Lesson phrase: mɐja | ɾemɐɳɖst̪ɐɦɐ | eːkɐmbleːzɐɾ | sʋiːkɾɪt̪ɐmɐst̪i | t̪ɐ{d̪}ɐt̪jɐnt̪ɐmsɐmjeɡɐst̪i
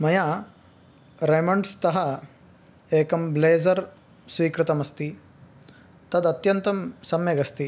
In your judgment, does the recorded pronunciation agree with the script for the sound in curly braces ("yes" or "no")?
yes